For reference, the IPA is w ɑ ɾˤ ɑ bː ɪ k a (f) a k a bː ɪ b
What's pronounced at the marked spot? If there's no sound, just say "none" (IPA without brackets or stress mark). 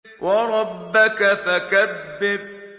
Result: f